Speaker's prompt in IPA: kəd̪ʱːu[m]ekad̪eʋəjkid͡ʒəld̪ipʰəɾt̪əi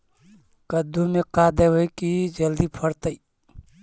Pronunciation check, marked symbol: correct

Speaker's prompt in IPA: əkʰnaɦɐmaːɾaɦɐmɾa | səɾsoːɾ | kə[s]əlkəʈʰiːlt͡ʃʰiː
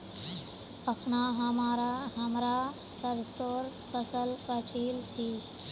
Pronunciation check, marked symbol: correct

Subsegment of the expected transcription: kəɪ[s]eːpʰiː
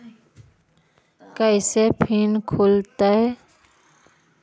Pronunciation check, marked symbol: correct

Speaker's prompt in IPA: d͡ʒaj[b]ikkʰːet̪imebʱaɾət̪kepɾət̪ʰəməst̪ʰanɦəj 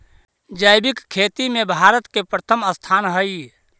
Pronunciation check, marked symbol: correct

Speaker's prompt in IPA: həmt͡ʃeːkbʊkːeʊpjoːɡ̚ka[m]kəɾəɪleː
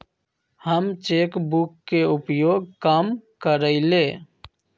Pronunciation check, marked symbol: correct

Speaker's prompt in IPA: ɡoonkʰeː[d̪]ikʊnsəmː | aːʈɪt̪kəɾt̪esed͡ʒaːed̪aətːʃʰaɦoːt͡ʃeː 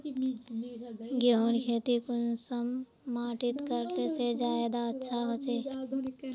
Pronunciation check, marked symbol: incorrect: t̪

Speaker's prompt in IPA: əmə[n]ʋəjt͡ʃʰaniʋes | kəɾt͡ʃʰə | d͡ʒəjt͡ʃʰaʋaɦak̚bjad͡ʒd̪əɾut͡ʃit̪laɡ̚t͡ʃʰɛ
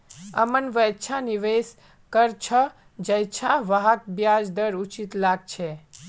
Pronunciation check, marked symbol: correct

